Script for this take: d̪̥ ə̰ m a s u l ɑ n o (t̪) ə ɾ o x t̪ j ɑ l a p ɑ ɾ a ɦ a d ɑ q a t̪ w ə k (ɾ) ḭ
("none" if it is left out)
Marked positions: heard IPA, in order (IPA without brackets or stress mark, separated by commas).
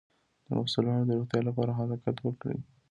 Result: d̪, ɽ